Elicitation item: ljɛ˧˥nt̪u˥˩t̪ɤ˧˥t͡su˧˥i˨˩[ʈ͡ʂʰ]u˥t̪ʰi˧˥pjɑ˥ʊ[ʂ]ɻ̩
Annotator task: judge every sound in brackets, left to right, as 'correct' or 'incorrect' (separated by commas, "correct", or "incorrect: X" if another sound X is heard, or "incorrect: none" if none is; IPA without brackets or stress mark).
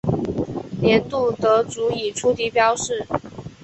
correct, correct